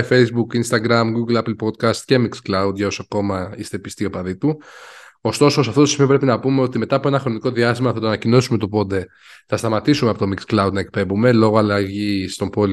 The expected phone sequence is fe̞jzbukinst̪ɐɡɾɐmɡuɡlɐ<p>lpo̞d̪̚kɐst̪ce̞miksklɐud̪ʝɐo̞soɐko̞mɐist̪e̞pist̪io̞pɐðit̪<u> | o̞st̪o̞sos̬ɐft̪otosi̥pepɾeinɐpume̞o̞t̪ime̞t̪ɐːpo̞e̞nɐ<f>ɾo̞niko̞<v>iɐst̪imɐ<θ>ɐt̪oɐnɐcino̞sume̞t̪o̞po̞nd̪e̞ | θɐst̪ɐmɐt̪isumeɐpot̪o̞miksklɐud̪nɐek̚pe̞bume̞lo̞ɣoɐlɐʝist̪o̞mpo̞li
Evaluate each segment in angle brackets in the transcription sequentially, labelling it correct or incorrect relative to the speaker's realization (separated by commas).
correct, correct, incorrect, incorrect, correct